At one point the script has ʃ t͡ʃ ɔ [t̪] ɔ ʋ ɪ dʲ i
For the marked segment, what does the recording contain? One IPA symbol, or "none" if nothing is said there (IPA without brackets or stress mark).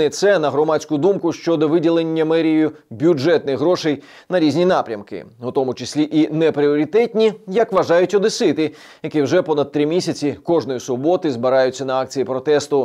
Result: d̪